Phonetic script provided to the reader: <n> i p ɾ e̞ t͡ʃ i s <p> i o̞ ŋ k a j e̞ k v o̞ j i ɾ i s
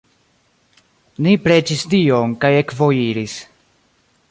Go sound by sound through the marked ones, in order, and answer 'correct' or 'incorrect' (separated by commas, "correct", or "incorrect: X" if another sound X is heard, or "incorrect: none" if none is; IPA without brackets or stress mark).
correct, incorrect: t